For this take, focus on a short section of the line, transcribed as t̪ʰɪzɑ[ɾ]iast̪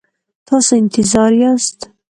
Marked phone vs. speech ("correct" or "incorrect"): correct